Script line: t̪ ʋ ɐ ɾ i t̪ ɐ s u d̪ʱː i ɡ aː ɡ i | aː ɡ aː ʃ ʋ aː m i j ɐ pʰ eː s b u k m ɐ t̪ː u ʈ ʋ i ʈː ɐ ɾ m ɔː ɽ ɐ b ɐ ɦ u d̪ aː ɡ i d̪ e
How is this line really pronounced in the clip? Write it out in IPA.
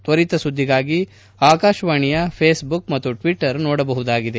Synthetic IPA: t̪ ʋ ɐ ɾ i t̪ ɐ s u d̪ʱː i ɡ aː ɡ i | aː k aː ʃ ʋ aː ɳ i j ɐ pʰ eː s b u k m ɐ t̪ː u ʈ ʋ i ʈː ɐ ɾ n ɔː ɽ ɐ b ɐ ɦ u d̪ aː ɡ i d̪ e